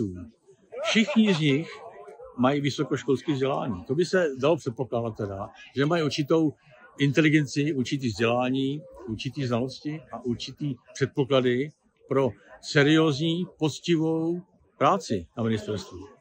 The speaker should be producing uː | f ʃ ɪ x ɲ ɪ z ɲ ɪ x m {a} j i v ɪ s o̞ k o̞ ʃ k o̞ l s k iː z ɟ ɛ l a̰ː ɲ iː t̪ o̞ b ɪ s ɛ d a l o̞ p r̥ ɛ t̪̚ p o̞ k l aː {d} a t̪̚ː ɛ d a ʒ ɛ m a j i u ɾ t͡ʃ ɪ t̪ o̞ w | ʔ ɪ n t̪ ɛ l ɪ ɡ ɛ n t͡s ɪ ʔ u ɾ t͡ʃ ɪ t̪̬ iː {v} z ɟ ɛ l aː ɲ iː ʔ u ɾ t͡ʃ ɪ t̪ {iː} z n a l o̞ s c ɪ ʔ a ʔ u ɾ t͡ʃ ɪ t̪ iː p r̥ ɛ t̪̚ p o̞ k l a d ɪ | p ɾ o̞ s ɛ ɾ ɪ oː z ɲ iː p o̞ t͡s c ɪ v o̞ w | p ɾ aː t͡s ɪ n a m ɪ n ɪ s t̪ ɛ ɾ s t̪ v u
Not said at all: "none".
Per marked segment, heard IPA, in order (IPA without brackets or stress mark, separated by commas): a, d, v, iː